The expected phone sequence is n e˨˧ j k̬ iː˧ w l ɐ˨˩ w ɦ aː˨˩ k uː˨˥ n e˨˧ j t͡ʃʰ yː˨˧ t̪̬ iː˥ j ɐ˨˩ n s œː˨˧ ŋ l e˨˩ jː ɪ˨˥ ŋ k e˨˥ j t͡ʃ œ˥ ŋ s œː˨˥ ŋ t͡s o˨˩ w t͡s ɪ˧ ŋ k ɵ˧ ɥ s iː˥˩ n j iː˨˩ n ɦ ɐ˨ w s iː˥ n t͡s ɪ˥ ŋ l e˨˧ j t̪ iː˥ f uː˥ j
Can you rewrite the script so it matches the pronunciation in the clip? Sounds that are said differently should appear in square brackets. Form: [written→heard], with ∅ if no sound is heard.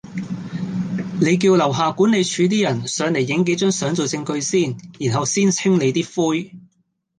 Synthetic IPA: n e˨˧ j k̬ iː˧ w l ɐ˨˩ w ɦ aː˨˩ k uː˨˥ n e˨˧ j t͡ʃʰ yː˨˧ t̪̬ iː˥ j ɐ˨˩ n s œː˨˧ ŋ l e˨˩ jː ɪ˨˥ ŋ k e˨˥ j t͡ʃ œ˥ ŋ s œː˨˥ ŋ t͡s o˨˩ w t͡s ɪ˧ ŋ k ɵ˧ ɥ s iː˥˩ n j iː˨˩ n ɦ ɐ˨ w s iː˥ n [t͡s→t͡sʰ] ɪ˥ ŋ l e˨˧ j t̪ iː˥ f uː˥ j